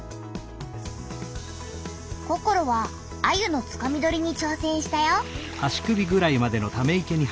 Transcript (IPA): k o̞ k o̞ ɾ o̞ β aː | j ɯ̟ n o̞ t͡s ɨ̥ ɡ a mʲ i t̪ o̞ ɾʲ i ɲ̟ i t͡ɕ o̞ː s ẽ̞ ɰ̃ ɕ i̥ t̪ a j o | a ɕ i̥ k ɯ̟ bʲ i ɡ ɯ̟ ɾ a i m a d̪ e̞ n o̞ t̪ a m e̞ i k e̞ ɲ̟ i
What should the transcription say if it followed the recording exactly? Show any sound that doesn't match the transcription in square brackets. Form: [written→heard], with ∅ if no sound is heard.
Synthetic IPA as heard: k o̞ k o̞ ɾ o̞ β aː | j ɯ̟ n o̞ t͡s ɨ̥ [ɡ→k] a mʲ i [t̪→d̪] o̞ ɾʲ i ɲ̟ i t͡ɕ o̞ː s ẽ̞ ɰ̃ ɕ i̥ t̪ a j o | a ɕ i̥ k ɯ̟ bʲ i ɡ ɯ̟ ɾ a i m a d̪ e̞ n o̞ t̪ a m e̞ i k e̞ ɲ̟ i